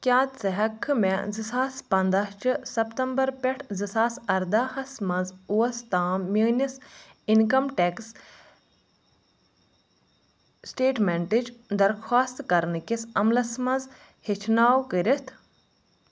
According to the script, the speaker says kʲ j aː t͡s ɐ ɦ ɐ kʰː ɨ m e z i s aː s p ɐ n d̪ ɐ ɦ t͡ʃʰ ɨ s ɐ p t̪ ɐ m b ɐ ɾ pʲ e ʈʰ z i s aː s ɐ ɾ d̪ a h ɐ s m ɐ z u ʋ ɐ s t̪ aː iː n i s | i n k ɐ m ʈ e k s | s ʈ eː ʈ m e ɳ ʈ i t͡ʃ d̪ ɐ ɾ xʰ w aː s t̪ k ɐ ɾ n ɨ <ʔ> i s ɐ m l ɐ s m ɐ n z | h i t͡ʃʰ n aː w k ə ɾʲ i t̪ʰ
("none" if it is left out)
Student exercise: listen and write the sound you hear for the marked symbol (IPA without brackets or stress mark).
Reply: k